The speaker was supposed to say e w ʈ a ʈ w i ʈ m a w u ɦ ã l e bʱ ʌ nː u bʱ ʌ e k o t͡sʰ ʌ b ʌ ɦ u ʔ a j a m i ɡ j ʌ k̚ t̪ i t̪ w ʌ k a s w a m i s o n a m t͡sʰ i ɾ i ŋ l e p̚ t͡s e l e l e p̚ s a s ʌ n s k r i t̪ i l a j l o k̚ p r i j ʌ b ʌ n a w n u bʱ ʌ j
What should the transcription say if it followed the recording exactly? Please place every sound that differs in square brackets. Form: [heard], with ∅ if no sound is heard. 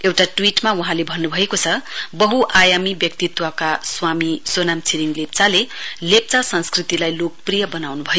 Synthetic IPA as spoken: e w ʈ a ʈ w i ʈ m a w u ɦ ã l e bʱ ʌ nː u bʱ ʌ e k o t͡sʰ ʌ b ʌ ɦ u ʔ a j a m i [b] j ʌ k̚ t̪ i t̪ w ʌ k a s w a m i s o n a m t͡sʰ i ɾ i ŋ l e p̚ t͡s [a] l e l e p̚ [t͡s] a s ʌ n s k r i t̪ i l a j l o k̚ p r i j ʌ b ʌ n a w n u bʱ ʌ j